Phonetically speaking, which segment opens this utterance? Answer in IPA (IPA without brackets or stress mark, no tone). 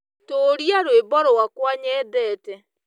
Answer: t